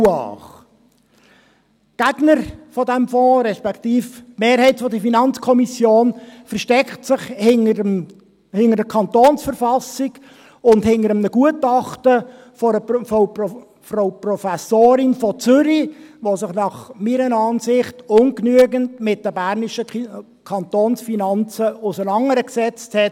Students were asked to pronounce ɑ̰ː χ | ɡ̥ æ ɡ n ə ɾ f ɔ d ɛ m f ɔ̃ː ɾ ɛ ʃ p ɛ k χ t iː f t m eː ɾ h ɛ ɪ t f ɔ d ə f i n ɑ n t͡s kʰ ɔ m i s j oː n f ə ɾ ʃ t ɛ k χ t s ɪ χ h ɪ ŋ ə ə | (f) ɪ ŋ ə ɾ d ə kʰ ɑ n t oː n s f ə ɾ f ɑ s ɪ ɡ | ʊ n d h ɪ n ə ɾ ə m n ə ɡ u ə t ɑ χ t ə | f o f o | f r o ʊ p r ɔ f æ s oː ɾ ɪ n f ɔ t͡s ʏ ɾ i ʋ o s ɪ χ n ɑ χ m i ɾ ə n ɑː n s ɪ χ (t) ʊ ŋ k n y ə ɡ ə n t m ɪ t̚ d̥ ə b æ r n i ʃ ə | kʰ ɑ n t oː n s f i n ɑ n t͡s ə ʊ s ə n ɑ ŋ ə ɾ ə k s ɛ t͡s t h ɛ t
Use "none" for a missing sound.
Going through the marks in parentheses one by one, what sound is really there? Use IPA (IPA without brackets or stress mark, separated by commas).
h, t